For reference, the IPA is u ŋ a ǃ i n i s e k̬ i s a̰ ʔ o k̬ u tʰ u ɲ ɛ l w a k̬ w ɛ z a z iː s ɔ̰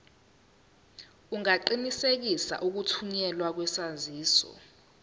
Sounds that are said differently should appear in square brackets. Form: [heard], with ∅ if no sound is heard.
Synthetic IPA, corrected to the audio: u ŋ a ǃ i n i s e k̬ i s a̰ ʔ [u] k̬ u tʰ u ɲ ɛ l w a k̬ w ɛ [s] a z iː s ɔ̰